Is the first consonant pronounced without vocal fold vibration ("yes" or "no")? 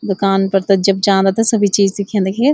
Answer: no